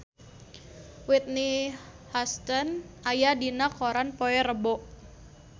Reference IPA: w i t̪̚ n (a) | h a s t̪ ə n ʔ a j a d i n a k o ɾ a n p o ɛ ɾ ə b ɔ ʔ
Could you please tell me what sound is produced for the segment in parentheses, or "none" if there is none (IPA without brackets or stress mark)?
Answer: i